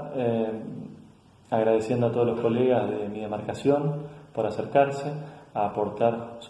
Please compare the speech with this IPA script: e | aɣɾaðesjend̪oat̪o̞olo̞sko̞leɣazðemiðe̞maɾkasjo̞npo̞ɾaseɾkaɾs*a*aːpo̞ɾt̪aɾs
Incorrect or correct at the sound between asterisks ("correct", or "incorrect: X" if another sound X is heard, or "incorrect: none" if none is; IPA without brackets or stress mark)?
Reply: incorrect: e